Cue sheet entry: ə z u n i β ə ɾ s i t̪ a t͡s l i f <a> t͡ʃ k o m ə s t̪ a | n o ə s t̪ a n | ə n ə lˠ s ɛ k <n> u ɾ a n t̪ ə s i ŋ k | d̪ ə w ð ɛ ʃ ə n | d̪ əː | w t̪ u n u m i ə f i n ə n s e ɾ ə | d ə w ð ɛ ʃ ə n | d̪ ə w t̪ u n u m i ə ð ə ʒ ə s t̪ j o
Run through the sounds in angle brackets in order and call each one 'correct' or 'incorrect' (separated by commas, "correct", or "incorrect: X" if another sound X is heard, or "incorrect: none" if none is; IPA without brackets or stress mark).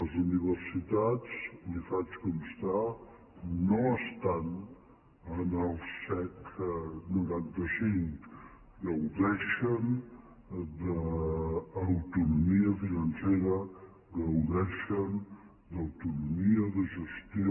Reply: correct, correct